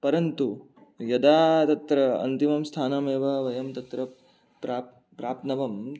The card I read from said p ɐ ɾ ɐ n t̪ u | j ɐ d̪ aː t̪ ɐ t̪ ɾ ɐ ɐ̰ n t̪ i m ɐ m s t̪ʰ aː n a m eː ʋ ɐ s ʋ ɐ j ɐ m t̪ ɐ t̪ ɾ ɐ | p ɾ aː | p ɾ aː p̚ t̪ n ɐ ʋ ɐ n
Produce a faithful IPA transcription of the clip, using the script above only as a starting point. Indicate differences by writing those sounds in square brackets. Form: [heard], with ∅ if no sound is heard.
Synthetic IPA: p ɐ ɾ ɐ n t̪ u | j ɐ d̪ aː t̪ ɐ t̪ ɾ ɐ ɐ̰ n t̪ i m ɐ m s t̪ʰ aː n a m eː ʋ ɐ [∅] ʋ ɐ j ɐ m t̪ ɐ t̪ ɾ ɐ | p ɾ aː | p ɾ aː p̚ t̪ n ɐ ʋ ɐ [m]